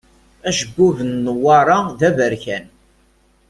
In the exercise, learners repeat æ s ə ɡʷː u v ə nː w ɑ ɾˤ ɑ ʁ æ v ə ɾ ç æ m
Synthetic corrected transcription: æ ʃ ə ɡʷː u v ə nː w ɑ ɾˤ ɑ ð æ v ə ɾ ç æ n